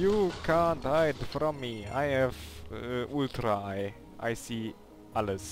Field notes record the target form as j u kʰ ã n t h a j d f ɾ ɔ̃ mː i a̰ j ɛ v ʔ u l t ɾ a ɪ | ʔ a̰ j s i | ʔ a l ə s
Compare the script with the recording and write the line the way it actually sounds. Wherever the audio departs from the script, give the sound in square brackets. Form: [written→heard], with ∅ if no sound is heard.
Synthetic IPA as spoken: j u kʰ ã n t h a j d f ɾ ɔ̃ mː i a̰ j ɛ v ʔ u l t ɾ a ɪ | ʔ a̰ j s i | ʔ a l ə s